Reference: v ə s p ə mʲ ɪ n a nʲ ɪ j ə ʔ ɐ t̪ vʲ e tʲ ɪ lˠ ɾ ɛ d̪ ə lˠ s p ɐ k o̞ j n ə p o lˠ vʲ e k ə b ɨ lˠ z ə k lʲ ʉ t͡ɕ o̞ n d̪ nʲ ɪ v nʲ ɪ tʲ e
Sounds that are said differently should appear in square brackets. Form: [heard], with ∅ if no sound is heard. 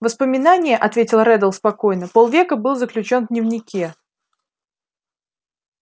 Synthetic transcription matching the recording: v ə s p ə mʲ ɪ n a nʲ ɪ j ə ʔ ɐ t̪ vʲ e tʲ ɪ lˠ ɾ ɛ d̪ ə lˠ s p ɐ k o̞ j n ə p o lˠ vʲ e k ə b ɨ lˠ z ə k lʲ ʉ t͡ɕ o̞ n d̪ nʲ ɪ v nʲ ɪ [kʲ] e